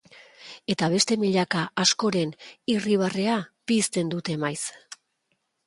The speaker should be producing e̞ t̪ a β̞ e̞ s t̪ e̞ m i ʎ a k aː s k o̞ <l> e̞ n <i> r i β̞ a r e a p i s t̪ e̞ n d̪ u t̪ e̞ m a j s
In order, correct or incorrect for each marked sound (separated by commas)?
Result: incorrect, correct